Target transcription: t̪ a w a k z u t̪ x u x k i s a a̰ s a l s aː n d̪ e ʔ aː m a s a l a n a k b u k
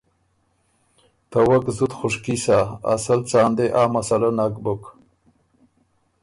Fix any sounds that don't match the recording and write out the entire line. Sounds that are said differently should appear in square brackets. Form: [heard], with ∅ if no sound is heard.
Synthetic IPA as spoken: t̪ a w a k z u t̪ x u [ʂ] k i s a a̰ s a l [t͡s] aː n d̪ e ʔ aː m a s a l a n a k b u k